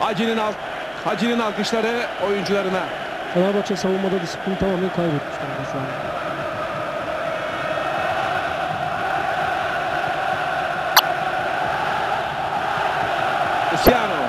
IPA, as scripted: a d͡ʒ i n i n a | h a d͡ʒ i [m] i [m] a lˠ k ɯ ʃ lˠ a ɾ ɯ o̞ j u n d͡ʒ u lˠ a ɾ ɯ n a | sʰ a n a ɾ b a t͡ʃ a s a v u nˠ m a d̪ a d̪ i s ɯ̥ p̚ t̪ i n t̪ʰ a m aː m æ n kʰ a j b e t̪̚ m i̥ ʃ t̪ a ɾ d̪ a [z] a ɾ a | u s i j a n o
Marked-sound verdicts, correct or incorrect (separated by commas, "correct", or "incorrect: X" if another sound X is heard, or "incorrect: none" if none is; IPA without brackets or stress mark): incorrect: n, incorrect: n, incorrect: s